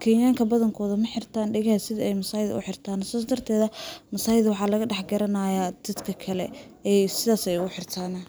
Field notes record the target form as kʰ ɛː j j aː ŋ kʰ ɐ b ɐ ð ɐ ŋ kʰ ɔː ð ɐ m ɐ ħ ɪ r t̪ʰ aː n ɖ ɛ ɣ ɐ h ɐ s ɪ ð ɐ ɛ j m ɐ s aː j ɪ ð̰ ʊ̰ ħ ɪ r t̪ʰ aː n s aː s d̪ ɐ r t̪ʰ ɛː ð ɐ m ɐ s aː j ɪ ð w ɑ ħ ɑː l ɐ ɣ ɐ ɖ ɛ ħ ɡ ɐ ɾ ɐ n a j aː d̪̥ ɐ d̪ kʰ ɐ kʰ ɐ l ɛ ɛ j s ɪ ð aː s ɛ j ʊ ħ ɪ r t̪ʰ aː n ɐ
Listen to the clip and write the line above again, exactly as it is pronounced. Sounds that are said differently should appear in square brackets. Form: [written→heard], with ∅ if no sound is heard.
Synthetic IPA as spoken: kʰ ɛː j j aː ŋ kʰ ɐ b ɐ ð ɐ ŋ kʰ ɔː ð ɐ m ɐ ħ ɪ r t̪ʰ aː n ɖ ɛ ɣ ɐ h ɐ s ɪ ð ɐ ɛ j m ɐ s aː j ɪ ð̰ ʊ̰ ħ ɪ r t̪ʰ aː n s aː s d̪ ɐ r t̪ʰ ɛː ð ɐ m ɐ s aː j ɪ ð w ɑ ħ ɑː l ɐ ɣ ɐ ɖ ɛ ħ ɡ ɐ ɾ ɐ n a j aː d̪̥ ɐ d̪ kʰ ɐ kʰ ɐ l ɛ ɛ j s ɪ ð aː s ɛ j ʊ ħ ɪ r t̪ʰ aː n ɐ